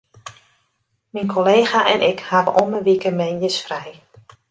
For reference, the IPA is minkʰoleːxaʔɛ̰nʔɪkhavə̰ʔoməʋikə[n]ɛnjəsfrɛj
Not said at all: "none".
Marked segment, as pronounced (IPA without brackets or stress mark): m